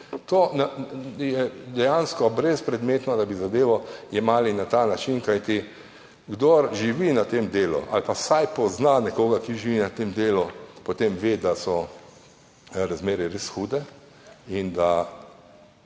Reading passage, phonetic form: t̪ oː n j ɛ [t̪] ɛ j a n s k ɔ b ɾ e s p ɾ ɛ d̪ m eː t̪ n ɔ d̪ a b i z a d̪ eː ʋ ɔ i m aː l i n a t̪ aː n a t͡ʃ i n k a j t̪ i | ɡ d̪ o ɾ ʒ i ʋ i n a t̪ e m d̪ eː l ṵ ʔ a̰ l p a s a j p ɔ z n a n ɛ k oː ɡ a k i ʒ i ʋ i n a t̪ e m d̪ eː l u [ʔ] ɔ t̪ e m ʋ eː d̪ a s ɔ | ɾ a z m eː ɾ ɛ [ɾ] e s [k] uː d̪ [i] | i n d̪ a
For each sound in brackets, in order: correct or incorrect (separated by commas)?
incorrect, incorrect, correct, incorrect, incorrect